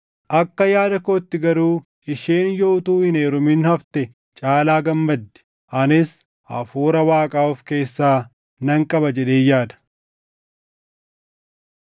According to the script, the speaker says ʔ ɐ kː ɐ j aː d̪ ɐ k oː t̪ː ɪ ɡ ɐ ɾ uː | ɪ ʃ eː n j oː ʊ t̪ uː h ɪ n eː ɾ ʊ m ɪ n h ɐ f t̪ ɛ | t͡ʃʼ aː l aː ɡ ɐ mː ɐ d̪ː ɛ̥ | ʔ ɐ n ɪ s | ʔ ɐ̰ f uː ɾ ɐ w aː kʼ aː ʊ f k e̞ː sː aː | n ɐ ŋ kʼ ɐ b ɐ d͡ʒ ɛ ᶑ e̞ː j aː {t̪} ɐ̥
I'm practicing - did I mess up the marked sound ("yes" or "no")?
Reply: yes